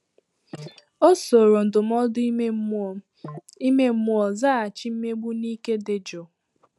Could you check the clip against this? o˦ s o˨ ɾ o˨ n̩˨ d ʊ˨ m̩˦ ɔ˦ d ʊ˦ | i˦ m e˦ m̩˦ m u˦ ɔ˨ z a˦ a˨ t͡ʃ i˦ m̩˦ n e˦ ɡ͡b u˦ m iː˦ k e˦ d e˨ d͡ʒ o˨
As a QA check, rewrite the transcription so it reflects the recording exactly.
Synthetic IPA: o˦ s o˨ ɾ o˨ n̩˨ d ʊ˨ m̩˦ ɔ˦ d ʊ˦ | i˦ m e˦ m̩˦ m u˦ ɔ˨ z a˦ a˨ t͡ʃ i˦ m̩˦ m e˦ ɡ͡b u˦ n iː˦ k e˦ d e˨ d͡ʒ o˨